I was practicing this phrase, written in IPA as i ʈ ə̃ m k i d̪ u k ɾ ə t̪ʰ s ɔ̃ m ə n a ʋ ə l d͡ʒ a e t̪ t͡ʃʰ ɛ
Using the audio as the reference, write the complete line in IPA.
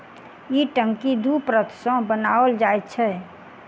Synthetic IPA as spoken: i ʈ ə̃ ŋ k i d̪ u p ɾ ə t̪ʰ s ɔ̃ b ə n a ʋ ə l d͡ʒ a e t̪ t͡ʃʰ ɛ